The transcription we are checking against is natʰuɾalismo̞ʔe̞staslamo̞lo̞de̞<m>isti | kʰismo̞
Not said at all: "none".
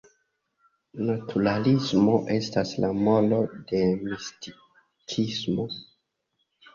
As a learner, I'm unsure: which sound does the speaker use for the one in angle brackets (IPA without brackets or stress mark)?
m